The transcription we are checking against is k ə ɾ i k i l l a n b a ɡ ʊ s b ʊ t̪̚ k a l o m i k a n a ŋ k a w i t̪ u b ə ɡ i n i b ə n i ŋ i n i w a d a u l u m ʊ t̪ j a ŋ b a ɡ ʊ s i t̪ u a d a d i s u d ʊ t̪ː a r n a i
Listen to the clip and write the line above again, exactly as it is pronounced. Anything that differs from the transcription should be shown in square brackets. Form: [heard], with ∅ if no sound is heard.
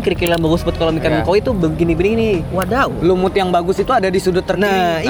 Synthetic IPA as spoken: k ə ɾ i k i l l a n b a ɡ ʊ s b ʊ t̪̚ k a l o m i k a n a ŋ k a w i t̪ u b ə ɡ i n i b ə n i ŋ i n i w a d a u l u m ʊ t̪ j a ŋ b a ɡ ʊ s i t̪ u a d a d i s u d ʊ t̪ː [ə] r n a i